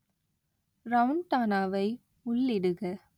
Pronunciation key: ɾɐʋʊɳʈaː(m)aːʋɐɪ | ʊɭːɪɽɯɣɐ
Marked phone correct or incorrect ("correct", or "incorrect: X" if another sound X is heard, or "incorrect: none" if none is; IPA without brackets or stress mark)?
incorrect: n